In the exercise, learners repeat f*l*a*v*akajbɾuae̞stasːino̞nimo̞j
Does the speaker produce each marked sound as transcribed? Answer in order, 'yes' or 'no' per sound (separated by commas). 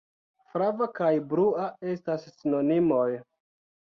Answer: no, yes